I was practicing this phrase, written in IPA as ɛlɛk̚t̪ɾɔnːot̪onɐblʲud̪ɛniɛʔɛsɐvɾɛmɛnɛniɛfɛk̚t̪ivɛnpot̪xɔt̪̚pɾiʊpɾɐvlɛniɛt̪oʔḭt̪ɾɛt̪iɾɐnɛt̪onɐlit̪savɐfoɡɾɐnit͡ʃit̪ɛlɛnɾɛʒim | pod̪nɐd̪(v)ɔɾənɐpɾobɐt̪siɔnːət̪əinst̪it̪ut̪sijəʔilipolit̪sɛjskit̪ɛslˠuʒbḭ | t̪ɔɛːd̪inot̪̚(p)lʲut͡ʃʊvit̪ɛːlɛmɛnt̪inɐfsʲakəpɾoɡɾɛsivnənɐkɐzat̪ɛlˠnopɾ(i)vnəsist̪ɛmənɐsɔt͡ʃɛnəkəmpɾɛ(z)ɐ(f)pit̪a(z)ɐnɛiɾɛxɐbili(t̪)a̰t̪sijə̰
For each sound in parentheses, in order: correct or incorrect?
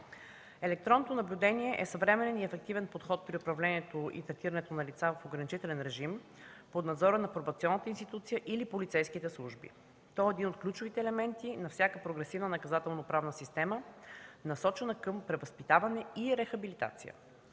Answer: incorrect, incorrect, incorrect, incorrect, incorrect, incorrect, correct

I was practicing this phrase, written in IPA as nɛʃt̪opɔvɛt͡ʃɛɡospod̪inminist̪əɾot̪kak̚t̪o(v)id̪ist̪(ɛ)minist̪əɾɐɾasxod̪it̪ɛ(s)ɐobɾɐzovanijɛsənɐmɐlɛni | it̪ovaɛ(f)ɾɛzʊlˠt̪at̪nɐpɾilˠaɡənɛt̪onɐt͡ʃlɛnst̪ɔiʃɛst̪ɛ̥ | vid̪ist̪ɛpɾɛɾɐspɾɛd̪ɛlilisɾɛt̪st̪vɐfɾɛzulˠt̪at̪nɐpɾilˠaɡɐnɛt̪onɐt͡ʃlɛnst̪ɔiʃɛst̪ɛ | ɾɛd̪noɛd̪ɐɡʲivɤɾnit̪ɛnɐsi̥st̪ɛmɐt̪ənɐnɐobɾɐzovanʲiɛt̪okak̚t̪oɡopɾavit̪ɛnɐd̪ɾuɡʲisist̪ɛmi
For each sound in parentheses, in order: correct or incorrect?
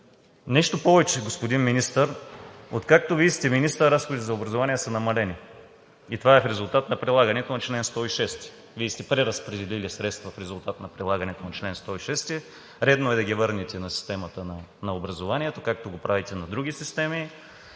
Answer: correct, correct, incorrect, correct

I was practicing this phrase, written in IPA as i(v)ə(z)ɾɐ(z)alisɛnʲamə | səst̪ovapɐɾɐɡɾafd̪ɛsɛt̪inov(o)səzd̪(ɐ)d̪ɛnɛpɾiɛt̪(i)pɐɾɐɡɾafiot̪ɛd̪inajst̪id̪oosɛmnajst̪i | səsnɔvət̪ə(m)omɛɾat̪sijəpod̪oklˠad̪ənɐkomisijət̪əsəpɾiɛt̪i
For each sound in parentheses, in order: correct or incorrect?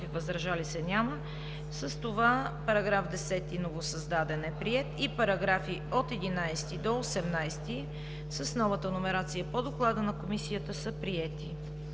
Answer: correct, correct, incorrect, correct, incorrect, correct, incorrect

